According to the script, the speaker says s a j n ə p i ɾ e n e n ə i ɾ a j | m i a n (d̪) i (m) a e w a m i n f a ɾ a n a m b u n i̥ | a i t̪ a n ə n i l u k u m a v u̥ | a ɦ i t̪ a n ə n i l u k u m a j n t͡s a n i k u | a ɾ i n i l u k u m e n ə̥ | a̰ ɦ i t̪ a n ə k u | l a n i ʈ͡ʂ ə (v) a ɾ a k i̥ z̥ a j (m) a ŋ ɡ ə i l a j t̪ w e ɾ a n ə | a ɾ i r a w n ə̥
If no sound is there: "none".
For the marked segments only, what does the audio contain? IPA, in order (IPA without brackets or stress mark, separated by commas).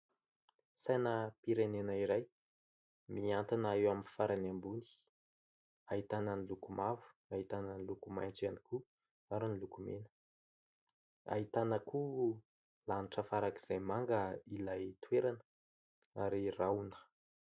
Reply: t̪, n, f, m